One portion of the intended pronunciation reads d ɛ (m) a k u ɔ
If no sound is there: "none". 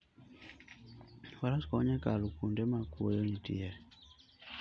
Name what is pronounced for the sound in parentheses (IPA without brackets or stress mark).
m